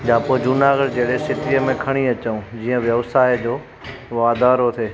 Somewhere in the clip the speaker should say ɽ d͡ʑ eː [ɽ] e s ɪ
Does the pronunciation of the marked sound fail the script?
no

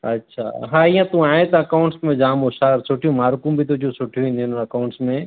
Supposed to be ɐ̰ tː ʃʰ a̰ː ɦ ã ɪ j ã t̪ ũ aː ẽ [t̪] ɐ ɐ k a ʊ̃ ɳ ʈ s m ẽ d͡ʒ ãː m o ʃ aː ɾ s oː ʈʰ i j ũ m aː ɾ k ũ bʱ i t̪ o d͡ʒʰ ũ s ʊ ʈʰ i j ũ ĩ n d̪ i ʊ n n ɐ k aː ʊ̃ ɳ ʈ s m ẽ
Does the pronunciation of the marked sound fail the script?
no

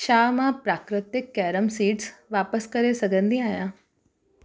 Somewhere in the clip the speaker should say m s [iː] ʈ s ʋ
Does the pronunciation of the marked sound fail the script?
no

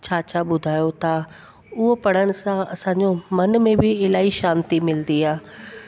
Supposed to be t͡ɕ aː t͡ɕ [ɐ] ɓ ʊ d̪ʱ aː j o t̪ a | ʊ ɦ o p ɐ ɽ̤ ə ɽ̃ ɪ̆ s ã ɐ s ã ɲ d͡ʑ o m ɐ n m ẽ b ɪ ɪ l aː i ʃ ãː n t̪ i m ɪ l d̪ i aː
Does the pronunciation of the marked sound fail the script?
yes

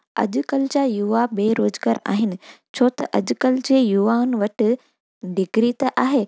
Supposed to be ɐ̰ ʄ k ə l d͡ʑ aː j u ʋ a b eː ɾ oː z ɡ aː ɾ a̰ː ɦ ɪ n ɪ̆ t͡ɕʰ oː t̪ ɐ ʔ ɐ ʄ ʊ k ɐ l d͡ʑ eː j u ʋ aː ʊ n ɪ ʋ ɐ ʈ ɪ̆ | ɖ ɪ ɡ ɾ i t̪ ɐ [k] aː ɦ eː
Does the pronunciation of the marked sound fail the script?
yes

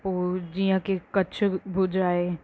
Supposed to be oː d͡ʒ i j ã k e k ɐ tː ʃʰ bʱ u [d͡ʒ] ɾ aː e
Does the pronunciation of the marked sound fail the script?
no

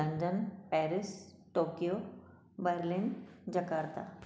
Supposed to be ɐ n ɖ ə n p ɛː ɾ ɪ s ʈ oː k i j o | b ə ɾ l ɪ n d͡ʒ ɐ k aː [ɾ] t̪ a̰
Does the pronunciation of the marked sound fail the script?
no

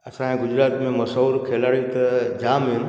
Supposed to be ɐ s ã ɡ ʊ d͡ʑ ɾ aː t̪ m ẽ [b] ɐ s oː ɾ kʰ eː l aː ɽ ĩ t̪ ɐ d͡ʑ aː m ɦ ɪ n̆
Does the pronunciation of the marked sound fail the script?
yes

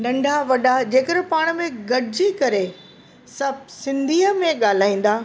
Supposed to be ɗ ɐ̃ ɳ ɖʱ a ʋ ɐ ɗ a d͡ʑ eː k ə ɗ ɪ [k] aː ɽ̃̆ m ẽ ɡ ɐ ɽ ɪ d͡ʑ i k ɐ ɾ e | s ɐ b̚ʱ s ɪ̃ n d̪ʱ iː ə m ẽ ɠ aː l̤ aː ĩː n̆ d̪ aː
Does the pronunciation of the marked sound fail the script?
yes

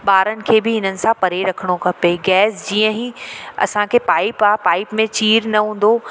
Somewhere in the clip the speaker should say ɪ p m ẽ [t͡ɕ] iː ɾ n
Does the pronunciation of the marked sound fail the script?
no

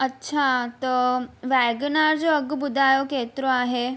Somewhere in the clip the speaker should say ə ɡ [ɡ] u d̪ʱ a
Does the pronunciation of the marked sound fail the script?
yes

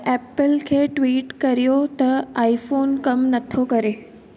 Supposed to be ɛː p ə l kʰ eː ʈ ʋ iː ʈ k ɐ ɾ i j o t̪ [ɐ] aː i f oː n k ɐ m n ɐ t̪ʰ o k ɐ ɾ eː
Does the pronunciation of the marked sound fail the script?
no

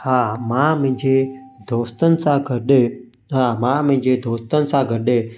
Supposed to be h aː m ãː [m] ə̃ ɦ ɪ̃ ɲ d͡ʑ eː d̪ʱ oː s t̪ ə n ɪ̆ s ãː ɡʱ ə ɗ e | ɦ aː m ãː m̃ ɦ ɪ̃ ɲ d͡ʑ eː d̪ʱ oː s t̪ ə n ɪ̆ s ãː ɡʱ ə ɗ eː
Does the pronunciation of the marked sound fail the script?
no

